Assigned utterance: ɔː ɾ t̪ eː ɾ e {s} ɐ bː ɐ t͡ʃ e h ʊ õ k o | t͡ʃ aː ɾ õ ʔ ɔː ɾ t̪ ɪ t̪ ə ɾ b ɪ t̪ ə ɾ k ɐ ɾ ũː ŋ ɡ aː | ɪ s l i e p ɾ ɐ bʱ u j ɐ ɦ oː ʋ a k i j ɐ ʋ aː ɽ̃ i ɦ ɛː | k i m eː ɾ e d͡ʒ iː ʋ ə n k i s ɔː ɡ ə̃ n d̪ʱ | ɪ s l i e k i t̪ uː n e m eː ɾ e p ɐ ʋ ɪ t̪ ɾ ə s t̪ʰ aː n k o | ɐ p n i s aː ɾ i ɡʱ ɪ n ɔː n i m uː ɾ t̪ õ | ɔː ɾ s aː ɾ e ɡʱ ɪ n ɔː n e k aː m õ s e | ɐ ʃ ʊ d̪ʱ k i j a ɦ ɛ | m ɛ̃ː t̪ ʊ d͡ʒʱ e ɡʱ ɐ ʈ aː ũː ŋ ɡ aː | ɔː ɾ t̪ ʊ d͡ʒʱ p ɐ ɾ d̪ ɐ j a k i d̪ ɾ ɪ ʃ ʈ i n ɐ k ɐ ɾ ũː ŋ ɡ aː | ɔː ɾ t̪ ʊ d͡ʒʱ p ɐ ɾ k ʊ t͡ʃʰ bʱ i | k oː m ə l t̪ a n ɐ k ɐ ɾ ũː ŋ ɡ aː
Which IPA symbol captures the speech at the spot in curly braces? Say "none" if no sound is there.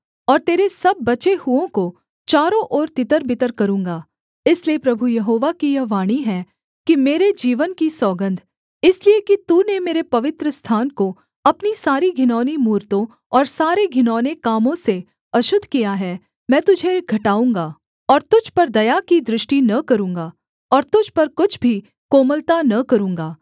s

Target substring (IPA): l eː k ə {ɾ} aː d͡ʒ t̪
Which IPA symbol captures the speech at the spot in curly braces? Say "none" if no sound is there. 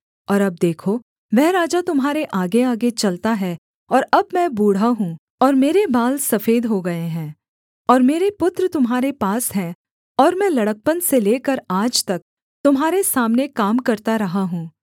ɾ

